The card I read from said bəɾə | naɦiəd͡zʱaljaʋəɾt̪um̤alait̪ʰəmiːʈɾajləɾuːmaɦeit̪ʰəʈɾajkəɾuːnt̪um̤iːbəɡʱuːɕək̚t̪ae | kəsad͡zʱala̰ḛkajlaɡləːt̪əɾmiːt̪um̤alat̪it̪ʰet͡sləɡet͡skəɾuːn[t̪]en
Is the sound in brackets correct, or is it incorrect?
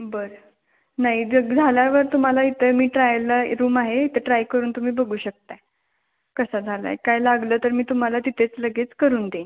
incorrect